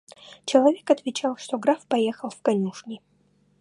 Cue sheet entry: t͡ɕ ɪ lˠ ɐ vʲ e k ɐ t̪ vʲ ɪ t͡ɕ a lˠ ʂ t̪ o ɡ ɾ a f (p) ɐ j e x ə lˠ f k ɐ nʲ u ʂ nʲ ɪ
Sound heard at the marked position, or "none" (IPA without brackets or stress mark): p